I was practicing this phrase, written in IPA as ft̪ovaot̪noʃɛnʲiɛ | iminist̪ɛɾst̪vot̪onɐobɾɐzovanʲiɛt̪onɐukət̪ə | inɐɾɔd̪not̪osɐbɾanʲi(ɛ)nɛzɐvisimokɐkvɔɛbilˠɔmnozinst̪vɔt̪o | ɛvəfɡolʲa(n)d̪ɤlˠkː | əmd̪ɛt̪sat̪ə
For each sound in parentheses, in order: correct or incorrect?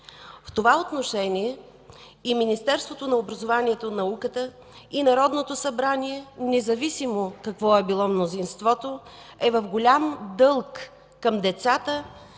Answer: correct, incorrect

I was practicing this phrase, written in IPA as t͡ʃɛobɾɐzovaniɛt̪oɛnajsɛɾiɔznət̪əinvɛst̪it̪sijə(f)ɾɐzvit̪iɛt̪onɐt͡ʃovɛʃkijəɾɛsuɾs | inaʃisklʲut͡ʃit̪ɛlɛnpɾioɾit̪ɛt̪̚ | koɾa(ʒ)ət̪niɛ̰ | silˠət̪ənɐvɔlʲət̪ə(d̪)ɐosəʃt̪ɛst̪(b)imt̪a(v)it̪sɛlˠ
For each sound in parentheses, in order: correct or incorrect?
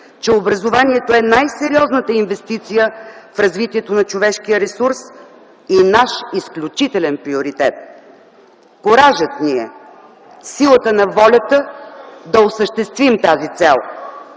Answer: correct, correct, correct, incorrect, incorrect

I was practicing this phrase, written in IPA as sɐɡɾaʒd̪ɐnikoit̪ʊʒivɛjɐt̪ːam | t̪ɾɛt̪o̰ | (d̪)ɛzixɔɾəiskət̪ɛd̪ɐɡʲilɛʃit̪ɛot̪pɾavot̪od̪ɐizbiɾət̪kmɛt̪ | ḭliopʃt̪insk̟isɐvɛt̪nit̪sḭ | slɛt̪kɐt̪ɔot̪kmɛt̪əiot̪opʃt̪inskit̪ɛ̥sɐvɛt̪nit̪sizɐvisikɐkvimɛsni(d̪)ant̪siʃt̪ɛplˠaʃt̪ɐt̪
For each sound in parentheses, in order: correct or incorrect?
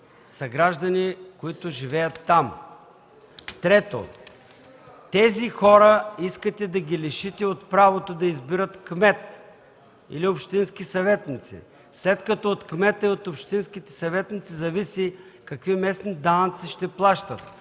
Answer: incorrect, correct

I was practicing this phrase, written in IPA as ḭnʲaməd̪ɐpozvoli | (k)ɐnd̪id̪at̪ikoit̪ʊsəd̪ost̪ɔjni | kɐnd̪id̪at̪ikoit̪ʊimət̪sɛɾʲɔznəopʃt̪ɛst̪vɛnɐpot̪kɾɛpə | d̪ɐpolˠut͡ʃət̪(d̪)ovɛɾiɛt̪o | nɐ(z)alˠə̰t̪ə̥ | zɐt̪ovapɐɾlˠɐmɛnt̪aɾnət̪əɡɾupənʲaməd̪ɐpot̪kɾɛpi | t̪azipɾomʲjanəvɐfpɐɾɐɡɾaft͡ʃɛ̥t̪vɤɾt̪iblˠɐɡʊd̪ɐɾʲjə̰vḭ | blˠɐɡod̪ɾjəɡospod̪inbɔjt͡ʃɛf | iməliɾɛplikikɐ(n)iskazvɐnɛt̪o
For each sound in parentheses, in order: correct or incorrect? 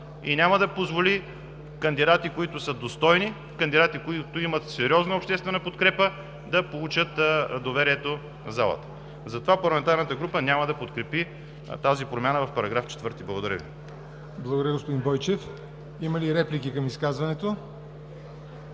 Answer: correct, correct, correct, incorrect

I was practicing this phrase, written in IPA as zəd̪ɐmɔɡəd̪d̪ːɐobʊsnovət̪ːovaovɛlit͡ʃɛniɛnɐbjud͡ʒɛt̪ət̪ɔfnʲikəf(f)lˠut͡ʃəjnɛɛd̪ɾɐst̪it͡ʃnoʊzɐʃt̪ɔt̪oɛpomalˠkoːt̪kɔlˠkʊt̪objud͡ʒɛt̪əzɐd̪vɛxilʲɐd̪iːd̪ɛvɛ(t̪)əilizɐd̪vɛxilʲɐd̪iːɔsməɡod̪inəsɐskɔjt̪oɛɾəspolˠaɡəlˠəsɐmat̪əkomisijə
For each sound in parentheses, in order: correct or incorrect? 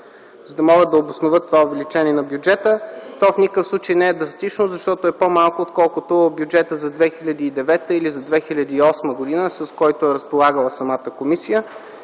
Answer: incorrect, correct

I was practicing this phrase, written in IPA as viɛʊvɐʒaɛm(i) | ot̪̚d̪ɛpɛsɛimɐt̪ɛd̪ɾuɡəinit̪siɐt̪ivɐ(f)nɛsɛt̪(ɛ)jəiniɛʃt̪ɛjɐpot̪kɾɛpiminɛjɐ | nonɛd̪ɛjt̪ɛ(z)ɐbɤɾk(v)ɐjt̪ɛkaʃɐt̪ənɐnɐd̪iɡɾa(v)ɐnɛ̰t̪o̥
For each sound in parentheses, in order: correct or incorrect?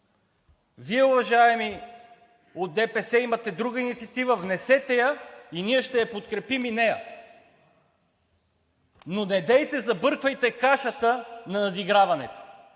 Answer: correct, incorrect, correct, correct, correct, correct

